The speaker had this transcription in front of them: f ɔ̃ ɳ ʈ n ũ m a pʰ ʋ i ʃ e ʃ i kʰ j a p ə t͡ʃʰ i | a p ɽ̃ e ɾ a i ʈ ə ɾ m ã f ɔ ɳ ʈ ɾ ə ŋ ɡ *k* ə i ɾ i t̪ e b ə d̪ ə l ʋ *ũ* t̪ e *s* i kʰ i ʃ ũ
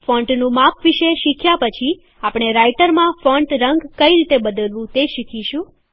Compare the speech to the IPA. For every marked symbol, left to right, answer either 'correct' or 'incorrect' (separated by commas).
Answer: correct, correct, incorrect